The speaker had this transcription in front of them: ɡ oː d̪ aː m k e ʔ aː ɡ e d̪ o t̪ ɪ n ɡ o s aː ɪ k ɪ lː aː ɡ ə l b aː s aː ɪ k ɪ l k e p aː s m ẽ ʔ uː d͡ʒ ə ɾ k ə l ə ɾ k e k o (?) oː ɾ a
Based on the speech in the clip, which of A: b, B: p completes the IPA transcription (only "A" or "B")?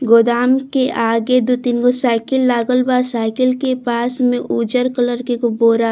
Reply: A